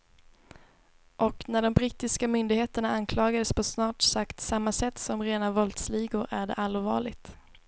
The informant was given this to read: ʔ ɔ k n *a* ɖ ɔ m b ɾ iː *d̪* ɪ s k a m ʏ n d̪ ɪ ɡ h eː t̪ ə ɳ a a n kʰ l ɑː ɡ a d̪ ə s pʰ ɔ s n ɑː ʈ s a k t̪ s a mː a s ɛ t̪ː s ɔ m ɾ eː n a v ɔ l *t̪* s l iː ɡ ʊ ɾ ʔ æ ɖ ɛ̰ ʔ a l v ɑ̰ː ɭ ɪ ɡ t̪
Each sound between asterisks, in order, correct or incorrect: incorrect: æ, incorrect: t̪, correct

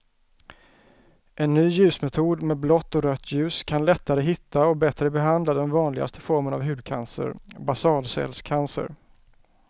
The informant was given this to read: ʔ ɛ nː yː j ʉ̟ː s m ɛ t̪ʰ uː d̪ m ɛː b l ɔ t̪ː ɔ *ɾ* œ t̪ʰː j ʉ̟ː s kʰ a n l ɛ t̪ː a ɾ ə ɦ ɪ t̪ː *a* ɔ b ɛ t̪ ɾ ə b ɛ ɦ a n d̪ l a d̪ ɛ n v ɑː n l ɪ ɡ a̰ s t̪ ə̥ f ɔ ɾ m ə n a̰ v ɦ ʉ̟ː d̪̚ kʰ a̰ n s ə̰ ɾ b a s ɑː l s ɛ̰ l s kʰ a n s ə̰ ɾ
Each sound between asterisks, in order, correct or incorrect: correct, correct

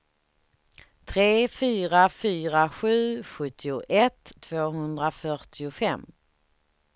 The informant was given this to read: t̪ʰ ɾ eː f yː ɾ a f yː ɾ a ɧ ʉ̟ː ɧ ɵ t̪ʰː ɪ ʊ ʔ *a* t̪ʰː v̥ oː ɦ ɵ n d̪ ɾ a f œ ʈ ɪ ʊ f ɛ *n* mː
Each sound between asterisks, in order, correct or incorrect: incorrect: ɛ, incorrect: none

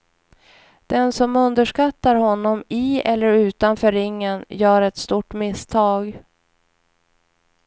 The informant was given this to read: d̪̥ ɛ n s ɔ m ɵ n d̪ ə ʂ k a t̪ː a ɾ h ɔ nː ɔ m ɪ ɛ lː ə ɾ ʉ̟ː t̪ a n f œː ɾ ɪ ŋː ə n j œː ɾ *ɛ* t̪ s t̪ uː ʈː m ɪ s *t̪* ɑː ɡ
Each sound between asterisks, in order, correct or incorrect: correct, incorrect: t̪ʰ

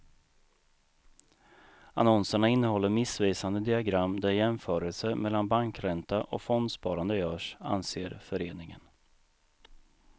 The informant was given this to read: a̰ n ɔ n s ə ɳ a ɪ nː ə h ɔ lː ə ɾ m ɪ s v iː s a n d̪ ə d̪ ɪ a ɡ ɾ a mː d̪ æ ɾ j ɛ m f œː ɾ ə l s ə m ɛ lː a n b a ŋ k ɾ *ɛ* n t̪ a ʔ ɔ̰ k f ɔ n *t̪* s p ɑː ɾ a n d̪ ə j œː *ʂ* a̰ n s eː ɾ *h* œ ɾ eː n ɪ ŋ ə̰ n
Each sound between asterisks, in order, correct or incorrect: correct, incorrect: d̪, correct, incorrect: f

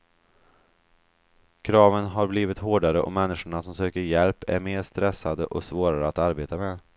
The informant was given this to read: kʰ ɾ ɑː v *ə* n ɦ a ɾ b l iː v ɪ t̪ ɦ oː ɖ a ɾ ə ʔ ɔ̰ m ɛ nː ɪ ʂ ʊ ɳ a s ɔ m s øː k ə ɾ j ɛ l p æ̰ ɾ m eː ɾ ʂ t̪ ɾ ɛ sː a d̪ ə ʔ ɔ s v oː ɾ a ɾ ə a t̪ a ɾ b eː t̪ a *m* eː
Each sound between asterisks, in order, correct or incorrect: correct, correct

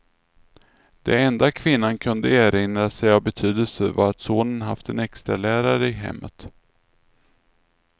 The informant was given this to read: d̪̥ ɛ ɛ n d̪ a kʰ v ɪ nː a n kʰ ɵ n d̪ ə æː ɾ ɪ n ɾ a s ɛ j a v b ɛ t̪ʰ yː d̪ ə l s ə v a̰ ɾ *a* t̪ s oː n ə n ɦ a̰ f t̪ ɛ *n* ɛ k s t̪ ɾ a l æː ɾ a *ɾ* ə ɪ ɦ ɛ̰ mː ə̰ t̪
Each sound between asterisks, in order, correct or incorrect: correct, correct, correct

